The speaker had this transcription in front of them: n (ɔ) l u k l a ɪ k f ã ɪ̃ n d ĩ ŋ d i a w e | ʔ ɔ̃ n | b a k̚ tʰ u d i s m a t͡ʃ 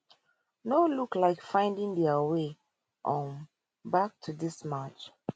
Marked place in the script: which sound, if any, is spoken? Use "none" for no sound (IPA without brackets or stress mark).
o